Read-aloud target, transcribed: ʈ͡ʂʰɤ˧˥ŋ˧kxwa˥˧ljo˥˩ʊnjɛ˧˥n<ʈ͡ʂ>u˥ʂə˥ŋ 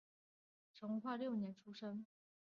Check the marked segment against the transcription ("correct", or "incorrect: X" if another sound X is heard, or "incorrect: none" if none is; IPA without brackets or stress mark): incorrect: ʈ͡ʂʰ